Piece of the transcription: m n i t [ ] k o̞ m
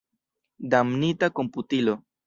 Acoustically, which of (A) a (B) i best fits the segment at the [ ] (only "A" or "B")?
A